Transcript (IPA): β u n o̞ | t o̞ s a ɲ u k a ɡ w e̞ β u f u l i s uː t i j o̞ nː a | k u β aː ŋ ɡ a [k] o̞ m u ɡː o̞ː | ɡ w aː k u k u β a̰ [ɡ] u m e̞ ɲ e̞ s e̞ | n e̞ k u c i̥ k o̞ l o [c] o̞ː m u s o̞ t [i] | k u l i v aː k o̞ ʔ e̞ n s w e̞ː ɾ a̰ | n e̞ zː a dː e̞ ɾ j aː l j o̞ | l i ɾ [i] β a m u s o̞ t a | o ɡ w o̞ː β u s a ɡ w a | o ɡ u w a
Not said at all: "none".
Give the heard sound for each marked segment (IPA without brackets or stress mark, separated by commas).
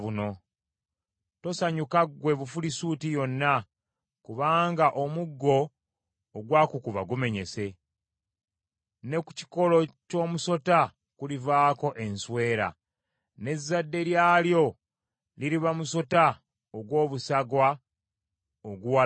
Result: ʔ, ɡ, c, a, i